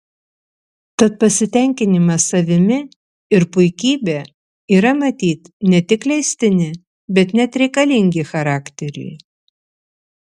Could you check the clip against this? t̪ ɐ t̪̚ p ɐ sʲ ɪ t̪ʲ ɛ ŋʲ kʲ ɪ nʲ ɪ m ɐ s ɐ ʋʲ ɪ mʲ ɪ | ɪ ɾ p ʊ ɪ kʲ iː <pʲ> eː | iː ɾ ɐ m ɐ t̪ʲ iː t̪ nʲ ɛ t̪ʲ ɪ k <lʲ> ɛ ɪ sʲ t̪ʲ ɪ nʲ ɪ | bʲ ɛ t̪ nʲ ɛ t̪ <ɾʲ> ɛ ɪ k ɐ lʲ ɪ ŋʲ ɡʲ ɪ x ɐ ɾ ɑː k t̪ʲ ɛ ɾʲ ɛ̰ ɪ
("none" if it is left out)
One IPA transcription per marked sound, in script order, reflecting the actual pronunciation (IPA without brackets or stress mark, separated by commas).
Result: bʲ, lʲ, ɾʲ